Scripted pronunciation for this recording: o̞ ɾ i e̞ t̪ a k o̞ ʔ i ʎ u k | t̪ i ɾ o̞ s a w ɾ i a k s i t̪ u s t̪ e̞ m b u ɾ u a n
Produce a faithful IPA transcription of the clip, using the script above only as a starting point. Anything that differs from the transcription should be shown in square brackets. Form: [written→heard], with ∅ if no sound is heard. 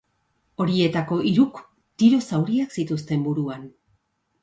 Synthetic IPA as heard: o̞ ɾ i e̞ t̪ a k o̞ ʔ i [ʎ→ɾ] u k | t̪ i ɾ o̞ s a w ɾ i a k s i t̪ u s t̪ e̞ m b u ɾ u a n